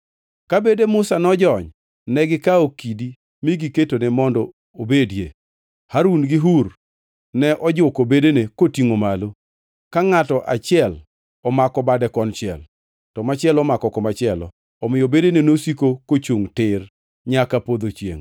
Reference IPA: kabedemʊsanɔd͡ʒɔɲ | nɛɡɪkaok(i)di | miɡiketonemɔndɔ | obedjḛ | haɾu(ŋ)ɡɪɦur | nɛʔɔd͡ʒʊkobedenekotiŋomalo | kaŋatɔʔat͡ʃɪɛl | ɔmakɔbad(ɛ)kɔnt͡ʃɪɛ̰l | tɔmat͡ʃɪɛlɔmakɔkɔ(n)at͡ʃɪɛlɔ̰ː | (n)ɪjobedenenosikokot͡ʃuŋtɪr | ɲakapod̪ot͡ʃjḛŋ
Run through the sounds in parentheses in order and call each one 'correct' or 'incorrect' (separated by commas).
correct, incorrect, correct, incorrect, incorrect